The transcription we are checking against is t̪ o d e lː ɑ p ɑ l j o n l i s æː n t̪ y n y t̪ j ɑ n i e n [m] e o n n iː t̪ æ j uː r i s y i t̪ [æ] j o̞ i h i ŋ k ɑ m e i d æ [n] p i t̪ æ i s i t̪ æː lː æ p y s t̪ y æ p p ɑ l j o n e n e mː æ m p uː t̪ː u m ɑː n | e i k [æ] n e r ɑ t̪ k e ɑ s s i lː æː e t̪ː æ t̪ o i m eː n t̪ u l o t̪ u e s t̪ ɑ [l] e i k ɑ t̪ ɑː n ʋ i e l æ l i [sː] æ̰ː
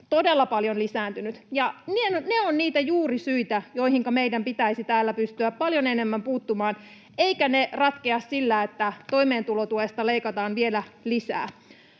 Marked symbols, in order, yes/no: no, yes, no, yes, yes, no

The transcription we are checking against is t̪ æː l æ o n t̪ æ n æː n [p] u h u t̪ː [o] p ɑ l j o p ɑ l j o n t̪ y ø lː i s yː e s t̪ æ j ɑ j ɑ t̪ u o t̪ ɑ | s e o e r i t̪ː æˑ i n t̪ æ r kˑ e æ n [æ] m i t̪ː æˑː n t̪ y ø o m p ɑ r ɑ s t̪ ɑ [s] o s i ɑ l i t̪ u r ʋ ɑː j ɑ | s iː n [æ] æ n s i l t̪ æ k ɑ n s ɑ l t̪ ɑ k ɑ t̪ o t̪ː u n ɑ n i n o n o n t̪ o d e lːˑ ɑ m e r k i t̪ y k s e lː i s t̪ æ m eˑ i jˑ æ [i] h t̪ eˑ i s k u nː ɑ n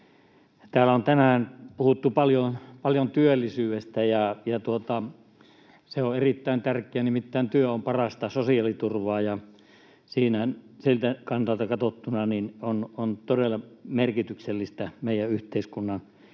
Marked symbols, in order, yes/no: yes, no, no, yes, yes, no

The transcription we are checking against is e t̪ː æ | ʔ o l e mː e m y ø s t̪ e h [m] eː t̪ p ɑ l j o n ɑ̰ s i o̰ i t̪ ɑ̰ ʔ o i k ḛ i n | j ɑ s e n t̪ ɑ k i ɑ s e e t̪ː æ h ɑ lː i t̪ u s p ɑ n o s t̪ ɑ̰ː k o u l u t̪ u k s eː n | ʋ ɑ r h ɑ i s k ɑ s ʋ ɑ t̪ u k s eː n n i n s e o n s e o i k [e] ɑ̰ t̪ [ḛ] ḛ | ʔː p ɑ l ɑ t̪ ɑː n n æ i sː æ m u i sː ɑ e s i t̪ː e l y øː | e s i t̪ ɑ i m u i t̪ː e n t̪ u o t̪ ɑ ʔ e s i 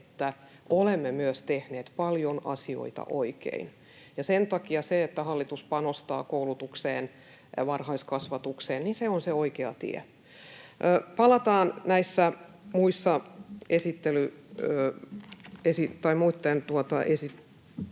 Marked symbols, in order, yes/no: no, yes, no

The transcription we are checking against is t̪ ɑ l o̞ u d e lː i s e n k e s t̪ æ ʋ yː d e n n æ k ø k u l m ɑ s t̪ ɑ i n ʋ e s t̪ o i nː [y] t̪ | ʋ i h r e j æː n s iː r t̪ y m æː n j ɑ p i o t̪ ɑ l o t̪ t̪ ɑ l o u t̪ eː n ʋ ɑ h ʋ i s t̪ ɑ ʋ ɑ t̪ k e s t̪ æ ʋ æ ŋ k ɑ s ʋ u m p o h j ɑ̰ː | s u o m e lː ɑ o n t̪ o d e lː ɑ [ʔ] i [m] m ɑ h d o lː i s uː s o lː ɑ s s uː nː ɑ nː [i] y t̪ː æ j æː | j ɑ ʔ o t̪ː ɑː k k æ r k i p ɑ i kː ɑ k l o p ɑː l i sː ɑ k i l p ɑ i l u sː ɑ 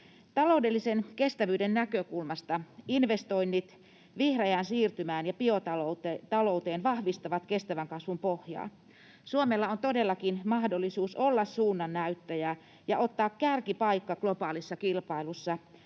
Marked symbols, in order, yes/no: no, no, no, no

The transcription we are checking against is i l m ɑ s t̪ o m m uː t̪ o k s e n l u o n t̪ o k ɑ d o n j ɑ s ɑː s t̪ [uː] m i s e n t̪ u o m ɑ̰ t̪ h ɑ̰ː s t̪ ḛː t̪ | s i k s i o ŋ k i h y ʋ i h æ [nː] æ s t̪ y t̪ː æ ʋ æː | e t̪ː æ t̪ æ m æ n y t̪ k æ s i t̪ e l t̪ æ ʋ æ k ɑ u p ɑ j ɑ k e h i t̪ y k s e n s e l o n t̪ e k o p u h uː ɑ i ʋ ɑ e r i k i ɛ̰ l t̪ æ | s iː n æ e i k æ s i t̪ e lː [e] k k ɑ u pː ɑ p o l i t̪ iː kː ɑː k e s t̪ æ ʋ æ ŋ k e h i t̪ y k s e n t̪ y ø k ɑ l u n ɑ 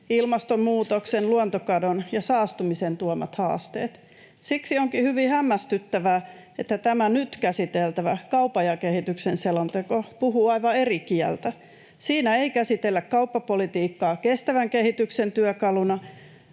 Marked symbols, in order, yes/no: no, no, no

